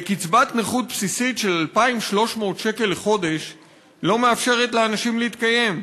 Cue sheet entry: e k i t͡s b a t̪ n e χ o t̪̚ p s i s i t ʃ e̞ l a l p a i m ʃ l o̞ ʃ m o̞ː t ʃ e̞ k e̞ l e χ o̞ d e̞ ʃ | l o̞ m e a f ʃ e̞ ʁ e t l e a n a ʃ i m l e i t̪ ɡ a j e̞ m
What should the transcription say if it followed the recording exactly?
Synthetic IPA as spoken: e k i t͡s b a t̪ n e χ u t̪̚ p s i s i t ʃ e̞ l a l p a i m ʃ l o̞ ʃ m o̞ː t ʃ e̞ k e̞ l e χ o̞ d e̞ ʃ | l o̞ m e a f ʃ e̞ ʁ e t l e a n a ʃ i m l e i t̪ k a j e̞ m